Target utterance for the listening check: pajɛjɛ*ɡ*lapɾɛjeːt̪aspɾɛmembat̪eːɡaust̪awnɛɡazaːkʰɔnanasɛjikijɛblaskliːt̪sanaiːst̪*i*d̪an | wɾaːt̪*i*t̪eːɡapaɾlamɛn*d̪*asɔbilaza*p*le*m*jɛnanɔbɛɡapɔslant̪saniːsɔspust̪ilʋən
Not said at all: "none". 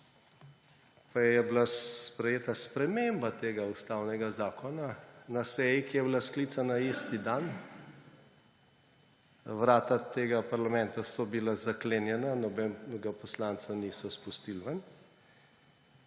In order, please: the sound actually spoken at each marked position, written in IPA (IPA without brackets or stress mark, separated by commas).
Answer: b, i, a, t̪, k, n